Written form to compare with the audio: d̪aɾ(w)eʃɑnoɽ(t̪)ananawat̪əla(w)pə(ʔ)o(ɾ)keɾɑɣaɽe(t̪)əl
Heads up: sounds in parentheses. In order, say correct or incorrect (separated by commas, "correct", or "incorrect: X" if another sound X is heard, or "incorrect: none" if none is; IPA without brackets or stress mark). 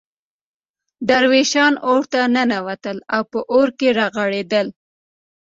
correct, correct, correct, correct, correct, incorrect: d̪